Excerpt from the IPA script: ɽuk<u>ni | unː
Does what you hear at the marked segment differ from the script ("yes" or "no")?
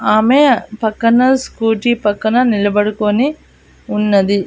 yes